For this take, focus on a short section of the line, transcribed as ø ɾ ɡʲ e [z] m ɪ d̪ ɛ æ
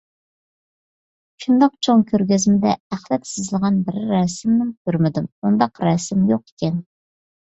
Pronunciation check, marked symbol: correct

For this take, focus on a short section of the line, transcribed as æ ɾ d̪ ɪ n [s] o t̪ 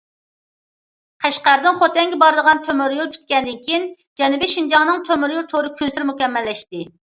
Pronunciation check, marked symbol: incorrect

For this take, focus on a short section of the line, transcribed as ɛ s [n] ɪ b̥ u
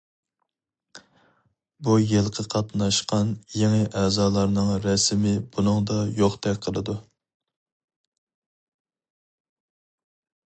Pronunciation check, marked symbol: incorrect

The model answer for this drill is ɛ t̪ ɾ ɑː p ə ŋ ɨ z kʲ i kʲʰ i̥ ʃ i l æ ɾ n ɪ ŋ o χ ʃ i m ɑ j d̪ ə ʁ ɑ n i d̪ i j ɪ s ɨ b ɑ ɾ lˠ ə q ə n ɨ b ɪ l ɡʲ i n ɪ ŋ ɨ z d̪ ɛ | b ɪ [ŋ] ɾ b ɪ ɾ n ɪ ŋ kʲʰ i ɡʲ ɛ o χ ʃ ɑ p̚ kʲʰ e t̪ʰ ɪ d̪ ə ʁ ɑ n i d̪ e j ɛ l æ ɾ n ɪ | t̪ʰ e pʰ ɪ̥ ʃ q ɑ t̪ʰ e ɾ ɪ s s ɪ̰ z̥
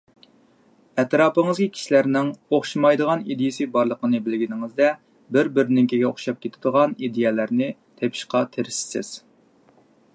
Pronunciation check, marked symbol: incorrect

